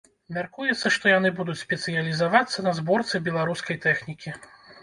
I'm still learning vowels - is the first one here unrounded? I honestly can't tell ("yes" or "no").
yes